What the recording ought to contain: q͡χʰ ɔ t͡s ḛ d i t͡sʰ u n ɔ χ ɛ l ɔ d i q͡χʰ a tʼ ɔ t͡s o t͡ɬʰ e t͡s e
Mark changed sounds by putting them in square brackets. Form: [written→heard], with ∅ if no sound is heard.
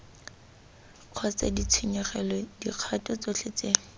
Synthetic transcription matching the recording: q͡χʰ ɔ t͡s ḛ d i t͡sʰ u [n→ɲ] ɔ χ ɛ l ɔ d i q͡χʰ a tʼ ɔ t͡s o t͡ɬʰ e t͡s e